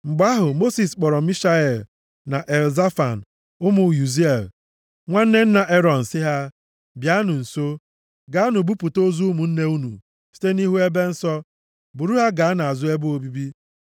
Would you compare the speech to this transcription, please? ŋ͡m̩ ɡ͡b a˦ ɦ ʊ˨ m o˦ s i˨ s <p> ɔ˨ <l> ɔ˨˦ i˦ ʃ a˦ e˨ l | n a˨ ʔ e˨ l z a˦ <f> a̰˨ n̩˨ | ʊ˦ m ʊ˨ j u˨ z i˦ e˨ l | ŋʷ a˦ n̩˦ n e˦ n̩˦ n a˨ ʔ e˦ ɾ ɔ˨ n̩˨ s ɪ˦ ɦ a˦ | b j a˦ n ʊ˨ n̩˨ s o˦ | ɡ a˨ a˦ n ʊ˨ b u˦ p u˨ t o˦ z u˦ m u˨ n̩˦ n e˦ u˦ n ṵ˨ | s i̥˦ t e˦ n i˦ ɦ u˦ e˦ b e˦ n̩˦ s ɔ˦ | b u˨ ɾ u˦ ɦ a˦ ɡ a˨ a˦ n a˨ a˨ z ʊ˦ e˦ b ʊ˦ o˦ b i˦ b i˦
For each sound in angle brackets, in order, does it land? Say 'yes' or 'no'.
no, no, yes

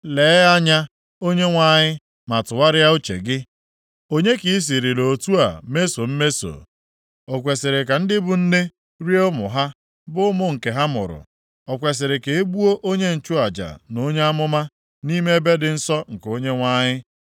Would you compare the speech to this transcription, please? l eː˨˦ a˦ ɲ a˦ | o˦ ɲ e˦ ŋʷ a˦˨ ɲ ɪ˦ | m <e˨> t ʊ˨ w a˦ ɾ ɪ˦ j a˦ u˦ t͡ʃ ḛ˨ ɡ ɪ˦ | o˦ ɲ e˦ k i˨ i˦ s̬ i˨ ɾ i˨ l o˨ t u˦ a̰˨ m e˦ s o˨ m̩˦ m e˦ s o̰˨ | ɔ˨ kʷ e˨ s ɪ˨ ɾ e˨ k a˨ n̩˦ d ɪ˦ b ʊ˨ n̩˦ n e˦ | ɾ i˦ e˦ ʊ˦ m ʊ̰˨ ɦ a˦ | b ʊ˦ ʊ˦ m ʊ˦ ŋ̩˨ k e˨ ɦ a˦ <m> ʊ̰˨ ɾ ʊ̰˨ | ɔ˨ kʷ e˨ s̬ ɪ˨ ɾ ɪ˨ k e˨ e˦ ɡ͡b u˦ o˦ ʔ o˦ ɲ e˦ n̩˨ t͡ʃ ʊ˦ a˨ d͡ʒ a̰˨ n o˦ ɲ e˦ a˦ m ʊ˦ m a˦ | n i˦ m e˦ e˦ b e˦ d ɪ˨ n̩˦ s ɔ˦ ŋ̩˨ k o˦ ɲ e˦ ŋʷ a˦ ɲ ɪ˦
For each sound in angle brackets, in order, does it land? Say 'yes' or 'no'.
no, yes

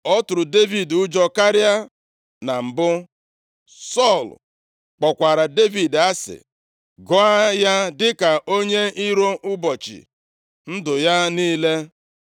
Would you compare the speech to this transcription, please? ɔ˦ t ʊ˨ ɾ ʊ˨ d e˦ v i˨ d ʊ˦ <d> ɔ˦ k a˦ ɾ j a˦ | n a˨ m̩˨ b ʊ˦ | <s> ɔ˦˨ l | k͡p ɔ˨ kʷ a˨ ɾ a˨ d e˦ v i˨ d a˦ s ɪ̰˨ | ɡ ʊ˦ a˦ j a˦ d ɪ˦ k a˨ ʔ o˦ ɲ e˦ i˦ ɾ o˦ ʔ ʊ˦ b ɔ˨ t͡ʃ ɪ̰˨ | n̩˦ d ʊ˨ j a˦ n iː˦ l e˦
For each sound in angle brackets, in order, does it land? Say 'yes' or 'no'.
no, yes

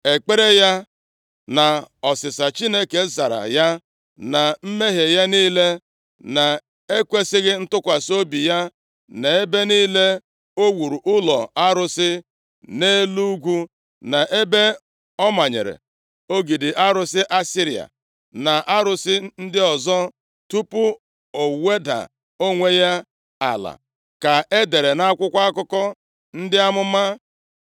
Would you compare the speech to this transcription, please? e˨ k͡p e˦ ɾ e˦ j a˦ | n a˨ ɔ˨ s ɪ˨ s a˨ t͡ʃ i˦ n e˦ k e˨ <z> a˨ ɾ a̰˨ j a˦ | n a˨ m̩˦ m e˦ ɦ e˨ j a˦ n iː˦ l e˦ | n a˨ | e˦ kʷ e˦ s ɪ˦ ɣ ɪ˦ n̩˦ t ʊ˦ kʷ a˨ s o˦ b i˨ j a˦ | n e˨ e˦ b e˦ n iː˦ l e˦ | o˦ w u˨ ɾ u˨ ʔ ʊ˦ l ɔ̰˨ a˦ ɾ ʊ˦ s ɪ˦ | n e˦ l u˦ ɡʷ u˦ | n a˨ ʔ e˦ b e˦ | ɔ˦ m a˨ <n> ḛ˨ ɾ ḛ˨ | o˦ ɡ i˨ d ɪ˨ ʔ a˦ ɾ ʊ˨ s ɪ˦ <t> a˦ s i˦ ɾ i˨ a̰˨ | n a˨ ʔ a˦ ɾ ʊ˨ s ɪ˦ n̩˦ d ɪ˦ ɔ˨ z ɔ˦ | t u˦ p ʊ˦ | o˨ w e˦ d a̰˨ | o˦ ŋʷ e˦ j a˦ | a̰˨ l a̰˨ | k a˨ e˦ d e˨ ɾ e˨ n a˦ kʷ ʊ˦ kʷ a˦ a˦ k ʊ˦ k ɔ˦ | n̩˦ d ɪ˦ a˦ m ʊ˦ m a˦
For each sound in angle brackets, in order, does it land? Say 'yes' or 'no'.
yes, no, no

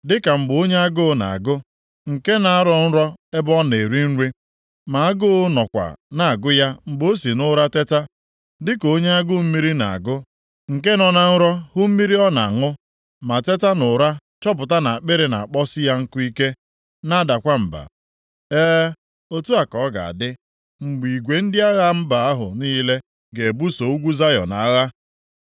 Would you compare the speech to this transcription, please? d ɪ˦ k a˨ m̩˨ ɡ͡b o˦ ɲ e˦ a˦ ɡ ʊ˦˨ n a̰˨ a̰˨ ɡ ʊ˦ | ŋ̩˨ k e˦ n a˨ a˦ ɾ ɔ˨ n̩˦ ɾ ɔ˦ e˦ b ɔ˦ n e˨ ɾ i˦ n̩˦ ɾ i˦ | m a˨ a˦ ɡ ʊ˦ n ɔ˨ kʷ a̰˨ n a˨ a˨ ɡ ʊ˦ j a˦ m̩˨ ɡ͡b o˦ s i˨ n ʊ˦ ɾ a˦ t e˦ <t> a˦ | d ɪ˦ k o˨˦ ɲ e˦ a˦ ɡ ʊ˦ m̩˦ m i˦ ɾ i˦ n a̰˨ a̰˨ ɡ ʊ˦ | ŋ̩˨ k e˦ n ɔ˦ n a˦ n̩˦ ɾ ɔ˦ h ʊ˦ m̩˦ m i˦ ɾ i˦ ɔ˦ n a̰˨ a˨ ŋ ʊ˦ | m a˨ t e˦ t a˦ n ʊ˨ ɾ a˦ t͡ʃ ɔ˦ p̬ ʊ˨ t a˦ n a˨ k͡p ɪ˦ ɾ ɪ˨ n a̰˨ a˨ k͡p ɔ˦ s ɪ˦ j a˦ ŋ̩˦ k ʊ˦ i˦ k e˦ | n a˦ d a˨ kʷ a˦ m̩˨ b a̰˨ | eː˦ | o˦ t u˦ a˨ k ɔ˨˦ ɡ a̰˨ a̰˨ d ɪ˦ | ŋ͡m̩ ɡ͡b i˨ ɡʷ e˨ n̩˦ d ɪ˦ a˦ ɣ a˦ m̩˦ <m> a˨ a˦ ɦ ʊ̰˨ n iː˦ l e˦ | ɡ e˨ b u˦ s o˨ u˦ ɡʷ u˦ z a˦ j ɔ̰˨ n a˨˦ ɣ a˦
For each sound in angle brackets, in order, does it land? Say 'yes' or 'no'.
yes, no

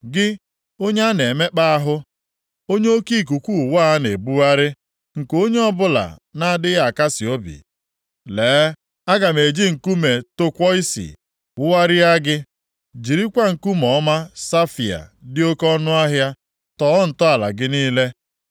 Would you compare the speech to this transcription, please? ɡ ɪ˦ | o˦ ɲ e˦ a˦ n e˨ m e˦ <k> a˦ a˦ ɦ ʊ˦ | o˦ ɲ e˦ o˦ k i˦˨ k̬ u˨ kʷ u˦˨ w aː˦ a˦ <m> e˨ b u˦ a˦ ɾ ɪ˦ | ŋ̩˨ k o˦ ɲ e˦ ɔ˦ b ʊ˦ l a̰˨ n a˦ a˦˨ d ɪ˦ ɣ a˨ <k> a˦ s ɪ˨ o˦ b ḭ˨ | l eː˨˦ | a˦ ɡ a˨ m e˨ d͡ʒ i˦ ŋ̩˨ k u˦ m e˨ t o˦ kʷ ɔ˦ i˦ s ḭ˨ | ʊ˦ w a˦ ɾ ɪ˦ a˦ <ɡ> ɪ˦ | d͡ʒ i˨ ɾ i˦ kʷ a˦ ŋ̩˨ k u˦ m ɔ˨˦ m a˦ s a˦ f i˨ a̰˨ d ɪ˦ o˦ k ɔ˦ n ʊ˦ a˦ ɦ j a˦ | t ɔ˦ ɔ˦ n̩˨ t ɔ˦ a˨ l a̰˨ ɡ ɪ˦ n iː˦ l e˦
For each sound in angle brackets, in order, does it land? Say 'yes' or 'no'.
no, no, yes, yes

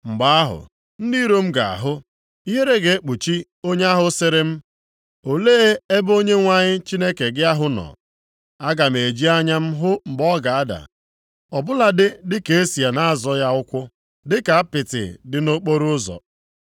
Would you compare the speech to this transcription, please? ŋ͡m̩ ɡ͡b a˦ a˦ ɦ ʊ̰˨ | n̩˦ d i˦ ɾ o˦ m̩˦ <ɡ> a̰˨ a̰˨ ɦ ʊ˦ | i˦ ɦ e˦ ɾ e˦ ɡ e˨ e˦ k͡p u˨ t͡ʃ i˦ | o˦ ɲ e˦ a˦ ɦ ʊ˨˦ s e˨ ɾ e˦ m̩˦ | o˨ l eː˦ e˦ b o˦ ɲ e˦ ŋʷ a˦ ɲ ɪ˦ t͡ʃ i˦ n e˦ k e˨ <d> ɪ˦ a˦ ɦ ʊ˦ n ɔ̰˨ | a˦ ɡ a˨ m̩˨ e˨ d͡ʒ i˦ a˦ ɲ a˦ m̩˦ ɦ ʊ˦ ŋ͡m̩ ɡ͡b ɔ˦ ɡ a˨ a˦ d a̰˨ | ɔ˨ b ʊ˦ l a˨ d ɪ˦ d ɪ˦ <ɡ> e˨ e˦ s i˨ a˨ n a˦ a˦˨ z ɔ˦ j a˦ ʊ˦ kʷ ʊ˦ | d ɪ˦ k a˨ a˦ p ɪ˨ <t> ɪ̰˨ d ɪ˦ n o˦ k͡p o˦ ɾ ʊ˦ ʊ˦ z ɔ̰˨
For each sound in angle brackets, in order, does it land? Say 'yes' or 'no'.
yes, no, no, yes

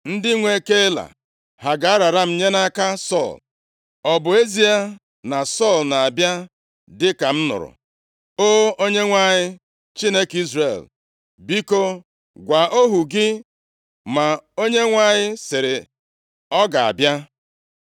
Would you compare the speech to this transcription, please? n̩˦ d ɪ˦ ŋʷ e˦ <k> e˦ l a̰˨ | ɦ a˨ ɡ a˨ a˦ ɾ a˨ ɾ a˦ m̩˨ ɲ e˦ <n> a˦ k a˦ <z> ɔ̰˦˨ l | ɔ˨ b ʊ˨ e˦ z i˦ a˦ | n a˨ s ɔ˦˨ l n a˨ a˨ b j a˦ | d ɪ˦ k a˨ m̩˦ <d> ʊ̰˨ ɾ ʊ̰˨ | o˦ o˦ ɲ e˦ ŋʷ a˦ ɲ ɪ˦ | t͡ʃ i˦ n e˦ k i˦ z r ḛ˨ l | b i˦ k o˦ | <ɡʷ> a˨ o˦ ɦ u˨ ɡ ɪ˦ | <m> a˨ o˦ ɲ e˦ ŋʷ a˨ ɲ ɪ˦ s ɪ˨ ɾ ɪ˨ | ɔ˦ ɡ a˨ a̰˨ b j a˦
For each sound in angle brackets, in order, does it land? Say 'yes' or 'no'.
yes, yes, no, no, yes, yes

